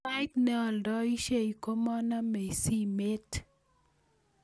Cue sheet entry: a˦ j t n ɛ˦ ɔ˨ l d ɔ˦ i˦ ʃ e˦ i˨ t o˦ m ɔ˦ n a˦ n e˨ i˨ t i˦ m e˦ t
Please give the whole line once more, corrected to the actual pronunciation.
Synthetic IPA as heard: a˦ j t n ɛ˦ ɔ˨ l d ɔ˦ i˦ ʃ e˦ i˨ k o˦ m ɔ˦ n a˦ m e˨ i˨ s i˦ m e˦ t